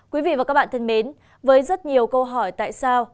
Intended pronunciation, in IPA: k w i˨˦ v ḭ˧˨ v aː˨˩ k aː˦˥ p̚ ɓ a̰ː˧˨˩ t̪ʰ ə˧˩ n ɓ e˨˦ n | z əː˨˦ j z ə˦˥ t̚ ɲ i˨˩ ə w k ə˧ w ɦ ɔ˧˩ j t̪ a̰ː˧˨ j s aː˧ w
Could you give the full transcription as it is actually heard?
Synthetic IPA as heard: k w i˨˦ v ḭ˧˨ v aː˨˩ k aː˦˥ k̚ ɓ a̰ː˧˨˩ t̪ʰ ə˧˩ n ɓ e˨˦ n | v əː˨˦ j z ə˦˥ t̚ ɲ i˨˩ ə w k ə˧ w ɦ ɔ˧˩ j t̪ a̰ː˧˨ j s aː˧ w